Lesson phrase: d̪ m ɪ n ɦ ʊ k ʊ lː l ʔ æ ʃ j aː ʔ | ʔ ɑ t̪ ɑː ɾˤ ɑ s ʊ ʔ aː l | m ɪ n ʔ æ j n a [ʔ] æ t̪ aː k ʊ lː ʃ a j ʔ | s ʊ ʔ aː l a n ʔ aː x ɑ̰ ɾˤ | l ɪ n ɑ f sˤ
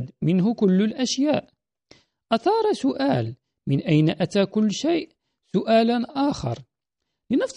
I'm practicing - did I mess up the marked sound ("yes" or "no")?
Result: no